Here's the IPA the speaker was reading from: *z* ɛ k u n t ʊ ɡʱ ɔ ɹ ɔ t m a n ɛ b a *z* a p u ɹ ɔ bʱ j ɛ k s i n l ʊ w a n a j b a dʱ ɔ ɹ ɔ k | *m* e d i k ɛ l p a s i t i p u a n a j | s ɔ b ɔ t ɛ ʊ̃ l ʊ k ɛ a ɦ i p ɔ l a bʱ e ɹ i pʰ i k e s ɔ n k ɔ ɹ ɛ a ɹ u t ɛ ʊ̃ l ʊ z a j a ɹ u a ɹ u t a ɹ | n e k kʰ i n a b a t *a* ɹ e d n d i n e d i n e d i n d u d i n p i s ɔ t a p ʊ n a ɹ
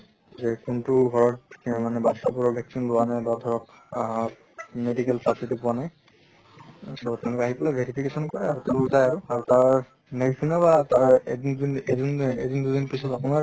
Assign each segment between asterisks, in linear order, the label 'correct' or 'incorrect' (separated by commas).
correct, incorrect, correct, correct